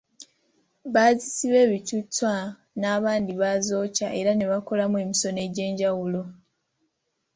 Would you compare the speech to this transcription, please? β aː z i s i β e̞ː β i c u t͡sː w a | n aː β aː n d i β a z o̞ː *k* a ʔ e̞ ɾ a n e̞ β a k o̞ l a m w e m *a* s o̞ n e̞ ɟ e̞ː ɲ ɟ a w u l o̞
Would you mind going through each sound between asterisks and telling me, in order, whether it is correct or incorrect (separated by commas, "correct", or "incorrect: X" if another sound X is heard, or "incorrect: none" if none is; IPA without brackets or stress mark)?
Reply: incorrect: c, incorrect: i